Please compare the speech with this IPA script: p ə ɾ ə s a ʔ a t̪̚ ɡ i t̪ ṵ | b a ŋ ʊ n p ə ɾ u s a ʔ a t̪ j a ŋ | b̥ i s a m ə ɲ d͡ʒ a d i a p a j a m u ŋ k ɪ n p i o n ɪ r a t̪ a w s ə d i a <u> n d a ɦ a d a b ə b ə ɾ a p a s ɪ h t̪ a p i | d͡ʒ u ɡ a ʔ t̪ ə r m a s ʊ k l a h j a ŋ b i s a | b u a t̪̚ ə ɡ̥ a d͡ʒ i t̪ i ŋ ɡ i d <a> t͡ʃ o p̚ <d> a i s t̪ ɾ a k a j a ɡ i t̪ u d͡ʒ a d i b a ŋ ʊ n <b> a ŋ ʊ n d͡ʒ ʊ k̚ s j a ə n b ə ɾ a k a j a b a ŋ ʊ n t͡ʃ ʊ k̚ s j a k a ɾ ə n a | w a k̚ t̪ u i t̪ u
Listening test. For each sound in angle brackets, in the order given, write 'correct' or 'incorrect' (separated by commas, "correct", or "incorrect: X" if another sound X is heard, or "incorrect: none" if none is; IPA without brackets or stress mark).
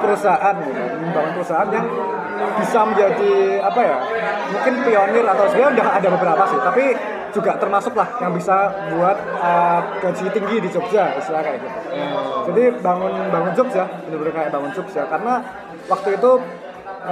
correct, incorrect: i, incorrect: d͡ʒ, correct